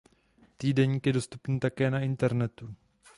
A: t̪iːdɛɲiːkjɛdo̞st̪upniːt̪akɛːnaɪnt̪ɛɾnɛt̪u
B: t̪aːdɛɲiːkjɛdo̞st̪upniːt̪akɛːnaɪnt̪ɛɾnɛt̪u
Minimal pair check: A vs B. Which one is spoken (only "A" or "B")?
A